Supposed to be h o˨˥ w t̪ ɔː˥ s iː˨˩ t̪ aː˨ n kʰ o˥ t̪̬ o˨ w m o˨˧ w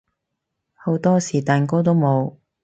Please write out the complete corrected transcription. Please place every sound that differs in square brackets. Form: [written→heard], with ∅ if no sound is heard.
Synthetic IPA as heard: h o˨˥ w t̪ ɔː˥ s iː˨˩ t̪ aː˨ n [kʰ→k] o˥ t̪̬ [o˨→o˥] w m o˨˧ w